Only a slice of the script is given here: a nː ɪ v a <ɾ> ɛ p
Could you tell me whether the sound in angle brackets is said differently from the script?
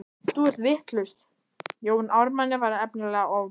no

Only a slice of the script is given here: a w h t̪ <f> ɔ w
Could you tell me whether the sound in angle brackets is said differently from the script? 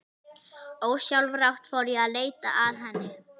no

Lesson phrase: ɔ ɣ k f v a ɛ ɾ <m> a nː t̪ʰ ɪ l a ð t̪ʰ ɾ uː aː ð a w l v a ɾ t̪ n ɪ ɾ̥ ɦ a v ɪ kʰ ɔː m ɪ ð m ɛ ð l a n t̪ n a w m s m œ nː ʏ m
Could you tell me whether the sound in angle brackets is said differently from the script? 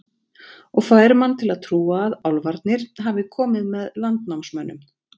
no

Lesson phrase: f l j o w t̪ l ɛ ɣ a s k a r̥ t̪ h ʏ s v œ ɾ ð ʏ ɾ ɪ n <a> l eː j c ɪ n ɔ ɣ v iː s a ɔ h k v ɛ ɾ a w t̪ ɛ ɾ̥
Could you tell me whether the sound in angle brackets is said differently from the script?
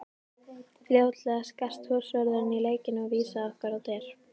yes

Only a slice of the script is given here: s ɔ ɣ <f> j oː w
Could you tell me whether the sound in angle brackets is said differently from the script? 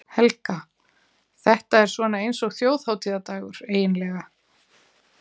yes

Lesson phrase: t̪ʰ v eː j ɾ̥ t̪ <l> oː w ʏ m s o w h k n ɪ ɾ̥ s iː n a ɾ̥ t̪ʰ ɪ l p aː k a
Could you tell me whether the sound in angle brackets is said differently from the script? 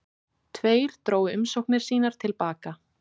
yes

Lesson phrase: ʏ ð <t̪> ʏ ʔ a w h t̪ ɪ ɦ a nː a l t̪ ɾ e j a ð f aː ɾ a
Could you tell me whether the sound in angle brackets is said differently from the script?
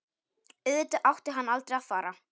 no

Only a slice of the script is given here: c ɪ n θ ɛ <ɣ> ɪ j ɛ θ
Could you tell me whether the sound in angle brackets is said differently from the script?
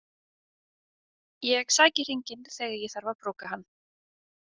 no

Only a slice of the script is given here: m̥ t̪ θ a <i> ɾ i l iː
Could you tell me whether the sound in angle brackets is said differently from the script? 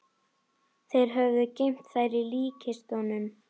yes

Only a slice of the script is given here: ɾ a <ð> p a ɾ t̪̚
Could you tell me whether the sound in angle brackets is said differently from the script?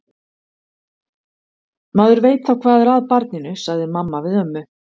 no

